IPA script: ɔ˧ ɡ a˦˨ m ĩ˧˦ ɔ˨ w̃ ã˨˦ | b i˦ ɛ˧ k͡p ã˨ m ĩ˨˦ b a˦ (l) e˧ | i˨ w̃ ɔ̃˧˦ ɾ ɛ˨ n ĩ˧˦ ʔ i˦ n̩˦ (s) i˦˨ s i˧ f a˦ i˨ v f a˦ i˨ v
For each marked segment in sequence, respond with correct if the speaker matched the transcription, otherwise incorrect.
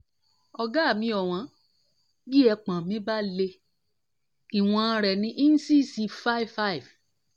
correct, correct

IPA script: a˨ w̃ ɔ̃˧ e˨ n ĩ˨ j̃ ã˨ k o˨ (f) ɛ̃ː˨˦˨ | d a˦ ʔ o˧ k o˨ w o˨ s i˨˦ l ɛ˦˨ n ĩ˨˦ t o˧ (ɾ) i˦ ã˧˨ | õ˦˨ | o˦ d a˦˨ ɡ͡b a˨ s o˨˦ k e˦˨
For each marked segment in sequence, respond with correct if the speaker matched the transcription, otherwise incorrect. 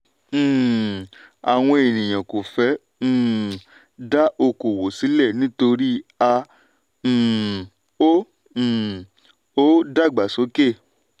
correct, correct

